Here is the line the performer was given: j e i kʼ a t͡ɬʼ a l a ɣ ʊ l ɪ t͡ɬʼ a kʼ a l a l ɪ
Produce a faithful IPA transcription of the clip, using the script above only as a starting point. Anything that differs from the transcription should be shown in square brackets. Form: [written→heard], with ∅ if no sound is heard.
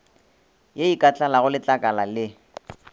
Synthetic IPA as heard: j e i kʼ a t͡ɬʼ a l a ɣ ʊ l ɪ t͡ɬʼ a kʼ a l a l ɪ